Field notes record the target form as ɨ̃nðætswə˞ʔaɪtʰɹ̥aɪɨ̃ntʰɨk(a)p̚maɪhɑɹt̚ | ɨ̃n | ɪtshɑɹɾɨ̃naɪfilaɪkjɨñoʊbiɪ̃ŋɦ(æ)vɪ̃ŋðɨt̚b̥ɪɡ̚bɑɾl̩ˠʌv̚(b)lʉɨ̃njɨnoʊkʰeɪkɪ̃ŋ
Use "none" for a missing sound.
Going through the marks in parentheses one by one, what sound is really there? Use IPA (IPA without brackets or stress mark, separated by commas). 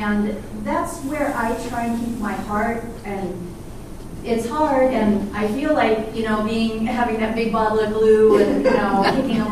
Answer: i, æ, b